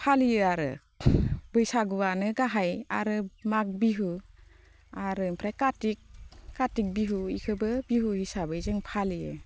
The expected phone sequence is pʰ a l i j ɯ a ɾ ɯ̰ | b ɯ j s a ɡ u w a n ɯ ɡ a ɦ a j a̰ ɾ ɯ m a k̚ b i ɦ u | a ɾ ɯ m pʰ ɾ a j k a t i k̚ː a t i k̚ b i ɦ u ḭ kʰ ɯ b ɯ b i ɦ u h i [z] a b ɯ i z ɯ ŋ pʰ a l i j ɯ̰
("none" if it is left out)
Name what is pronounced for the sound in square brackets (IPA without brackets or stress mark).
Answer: s